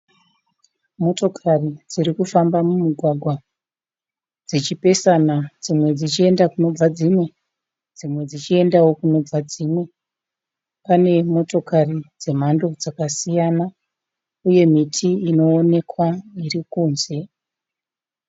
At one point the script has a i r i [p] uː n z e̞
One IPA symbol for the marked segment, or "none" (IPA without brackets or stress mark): k